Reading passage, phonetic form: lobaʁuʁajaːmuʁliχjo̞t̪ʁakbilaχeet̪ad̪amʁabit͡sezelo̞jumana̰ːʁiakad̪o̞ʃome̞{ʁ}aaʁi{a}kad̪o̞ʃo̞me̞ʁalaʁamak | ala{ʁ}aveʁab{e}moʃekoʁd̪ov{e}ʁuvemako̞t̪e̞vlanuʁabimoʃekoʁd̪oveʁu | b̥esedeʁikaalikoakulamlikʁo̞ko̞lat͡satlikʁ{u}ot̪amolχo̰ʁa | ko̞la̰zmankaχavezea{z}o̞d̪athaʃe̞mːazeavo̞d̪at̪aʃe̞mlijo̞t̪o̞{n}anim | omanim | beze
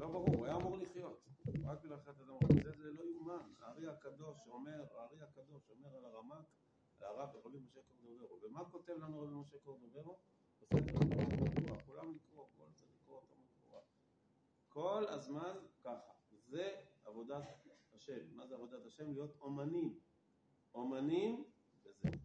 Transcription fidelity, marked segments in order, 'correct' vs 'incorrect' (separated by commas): correct, correct, correct, incorrect, correct, incorrect, incorrect, incorrect